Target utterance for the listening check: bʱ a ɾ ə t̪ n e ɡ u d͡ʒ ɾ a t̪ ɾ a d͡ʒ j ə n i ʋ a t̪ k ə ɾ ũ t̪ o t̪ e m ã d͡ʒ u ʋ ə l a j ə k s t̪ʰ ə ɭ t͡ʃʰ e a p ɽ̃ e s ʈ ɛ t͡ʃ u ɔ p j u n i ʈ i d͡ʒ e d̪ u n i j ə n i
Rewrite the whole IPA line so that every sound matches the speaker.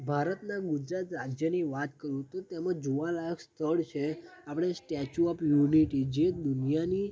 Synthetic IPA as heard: bʱ a ɾ ə t̪ n a ɡ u d͡ʒ ɾ a t̪ ɾ a d͡ʒ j ə n i ʋ a t̪ k ə ɾ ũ t̪ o t̪ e m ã d͡ʒ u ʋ a l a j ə k s t̪ʰ ə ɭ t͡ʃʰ e a p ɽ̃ e s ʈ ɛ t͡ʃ u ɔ p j u n i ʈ i d͡ʒ e d̪ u n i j a n i